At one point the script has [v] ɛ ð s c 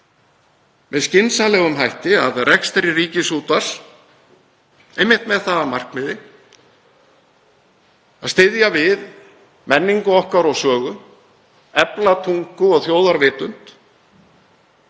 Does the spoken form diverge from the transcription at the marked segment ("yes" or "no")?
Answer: no